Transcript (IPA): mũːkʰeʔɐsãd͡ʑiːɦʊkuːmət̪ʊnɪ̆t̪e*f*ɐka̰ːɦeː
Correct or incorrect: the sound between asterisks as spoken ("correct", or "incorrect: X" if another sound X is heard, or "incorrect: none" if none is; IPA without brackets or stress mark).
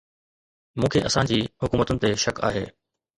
incorrect: ʃ